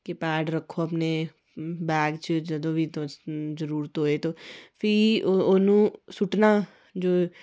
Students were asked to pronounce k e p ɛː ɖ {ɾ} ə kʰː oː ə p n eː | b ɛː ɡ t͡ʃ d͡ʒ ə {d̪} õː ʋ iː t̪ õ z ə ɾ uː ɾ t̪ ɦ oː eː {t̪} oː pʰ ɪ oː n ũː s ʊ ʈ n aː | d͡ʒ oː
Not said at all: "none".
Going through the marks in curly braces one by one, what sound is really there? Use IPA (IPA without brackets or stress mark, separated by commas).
ɾ, d̪, t̪